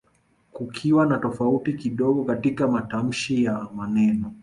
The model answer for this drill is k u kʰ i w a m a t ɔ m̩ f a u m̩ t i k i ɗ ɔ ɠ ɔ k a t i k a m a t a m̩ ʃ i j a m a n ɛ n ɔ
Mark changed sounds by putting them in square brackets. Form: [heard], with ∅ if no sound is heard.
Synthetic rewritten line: k u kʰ i w a [n] a t ɔ [∅] f a u [∅] t i k i ɗ ɔ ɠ ɔ k a t i k a m a t a m̩ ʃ i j a m a n ɛ n ɔ